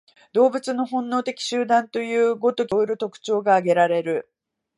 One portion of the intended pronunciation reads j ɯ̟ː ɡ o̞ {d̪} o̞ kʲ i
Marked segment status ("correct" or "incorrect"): incorrect